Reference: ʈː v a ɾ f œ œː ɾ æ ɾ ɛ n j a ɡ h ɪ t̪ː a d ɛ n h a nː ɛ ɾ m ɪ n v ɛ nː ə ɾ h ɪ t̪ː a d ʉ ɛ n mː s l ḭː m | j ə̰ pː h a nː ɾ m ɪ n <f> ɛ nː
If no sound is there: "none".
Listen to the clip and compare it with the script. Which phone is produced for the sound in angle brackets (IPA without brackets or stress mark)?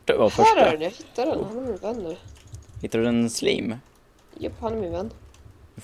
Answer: v